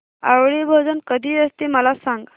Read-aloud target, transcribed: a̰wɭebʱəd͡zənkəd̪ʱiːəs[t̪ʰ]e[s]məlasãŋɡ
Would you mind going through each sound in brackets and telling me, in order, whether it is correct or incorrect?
incorrect: t̪, incorrect: none

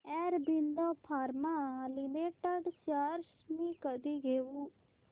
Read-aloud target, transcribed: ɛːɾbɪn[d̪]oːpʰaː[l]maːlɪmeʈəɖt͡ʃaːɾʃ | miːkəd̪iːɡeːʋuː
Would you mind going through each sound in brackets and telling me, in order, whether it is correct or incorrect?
correct, incorrect: ɾ

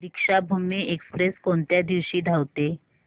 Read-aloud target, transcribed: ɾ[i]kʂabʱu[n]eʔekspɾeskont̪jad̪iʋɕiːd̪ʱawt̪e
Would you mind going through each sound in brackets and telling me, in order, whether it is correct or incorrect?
correct, incorrect: m

